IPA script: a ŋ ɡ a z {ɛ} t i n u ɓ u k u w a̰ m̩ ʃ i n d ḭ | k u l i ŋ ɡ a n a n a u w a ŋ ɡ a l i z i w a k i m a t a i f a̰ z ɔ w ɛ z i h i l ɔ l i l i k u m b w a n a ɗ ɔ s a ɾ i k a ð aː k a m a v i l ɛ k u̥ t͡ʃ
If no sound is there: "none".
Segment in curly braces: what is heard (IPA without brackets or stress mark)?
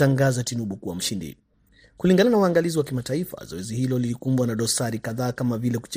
a